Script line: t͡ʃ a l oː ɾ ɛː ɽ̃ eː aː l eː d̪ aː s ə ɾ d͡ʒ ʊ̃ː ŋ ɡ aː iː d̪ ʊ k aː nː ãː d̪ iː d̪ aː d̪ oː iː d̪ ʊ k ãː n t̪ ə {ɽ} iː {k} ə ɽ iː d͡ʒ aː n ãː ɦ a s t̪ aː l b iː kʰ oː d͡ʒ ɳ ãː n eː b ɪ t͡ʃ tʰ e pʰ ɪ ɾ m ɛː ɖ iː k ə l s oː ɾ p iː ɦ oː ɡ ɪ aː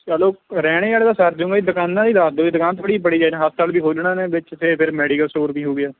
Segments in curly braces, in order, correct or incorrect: correct, incorrect: p

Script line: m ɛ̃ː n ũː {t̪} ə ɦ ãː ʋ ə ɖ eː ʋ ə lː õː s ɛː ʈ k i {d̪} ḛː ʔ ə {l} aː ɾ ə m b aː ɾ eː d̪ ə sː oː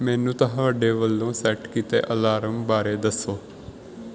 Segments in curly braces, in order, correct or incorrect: correct, incorrect: t̪, correct

